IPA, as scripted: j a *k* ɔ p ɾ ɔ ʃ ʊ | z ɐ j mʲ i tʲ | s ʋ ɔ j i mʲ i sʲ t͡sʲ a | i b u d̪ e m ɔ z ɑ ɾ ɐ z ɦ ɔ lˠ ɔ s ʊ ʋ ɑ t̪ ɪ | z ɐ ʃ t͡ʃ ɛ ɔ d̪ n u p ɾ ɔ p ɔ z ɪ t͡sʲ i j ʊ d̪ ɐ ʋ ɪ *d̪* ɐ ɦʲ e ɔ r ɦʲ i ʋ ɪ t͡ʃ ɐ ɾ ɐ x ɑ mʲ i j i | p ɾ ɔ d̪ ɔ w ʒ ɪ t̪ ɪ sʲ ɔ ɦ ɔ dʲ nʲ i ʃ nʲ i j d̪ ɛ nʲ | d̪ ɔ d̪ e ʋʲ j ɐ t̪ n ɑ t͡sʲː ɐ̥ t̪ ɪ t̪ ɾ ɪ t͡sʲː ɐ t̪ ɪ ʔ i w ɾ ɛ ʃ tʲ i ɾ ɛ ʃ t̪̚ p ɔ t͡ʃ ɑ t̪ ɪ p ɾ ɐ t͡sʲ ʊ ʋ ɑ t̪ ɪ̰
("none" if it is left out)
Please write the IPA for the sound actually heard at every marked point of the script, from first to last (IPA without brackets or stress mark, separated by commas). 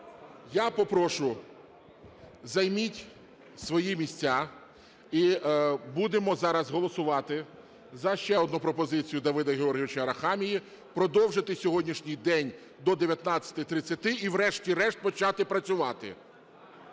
p, d̪